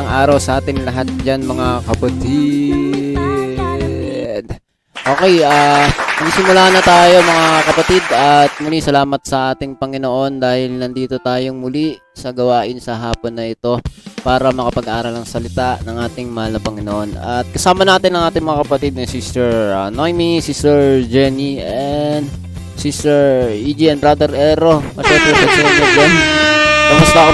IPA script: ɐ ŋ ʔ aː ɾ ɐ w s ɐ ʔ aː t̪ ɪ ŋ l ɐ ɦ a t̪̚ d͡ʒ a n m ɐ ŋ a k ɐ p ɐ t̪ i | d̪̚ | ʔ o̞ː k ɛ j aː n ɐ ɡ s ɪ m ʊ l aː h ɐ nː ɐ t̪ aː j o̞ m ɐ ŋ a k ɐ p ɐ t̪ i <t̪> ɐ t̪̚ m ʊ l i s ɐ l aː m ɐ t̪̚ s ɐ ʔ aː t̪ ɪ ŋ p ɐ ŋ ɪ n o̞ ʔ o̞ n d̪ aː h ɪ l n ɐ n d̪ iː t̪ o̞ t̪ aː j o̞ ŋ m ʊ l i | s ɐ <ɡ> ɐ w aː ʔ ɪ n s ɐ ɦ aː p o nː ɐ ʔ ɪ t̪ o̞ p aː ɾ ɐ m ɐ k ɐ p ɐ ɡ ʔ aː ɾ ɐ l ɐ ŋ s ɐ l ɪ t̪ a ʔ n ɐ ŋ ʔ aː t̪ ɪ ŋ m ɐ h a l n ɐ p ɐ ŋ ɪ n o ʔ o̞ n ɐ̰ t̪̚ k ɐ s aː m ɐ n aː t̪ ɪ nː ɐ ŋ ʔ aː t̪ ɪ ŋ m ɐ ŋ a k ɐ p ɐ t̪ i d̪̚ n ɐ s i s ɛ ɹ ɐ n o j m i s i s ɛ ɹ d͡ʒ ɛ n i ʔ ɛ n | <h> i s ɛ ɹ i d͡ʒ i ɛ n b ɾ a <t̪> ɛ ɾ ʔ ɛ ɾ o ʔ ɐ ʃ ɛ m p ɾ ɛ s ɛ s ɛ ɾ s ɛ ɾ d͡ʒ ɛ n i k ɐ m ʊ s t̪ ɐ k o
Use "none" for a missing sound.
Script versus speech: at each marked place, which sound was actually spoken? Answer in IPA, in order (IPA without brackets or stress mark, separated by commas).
d̪, ɡ, s, d̪